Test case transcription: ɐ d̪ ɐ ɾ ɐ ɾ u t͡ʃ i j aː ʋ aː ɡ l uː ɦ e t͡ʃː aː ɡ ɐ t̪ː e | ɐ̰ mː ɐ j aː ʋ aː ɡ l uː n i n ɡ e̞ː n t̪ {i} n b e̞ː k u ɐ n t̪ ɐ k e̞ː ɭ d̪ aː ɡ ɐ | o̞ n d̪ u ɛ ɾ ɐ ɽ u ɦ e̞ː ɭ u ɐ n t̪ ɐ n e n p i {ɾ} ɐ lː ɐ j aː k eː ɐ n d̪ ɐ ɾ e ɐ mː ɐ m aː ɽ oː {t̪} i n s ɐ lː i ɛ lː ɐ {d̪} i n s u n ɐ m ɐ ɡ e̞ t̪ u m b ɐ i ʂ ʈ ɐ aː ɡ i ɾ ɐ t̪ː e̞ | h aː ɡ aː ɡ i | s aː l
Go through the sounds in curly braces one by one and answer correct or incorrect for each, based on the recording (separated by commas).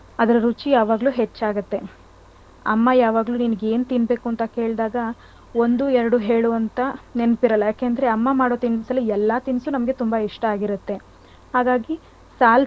correct, correct, correct, incorrect